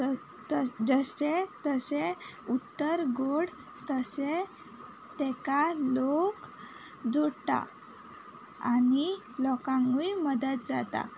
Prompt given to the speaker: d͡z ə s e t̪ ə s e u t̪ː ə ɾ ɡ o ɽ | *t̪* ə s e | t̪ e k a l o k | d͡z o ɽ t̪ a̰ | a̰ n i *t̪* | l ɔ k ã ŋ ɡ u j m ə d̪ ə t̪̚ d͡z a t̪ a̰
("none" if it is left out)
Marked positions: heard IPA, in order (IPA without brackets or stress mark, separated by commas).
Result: t̪, none